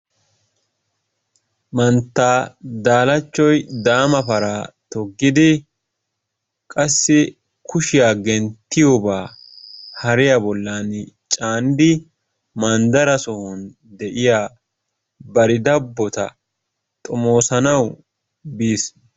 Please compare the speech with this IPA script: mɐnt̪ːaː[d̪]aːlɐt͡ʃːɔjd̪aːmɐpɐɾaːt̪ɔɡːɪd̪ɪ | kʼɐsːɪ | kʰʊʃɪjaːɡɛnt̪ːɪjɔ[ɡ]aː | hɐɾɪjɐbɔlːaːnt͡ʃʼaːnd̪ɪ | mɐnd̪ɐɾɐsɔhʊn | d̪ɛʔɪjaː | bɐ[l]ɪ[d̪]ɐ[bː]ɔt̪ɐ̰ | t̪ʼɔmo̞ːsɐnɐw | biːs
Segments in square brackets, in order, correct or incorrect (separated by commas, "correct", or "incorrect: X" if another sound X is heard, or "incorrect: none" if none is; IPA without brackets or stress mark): correct, incorrect: b, incorrect: ɾ, correct, correct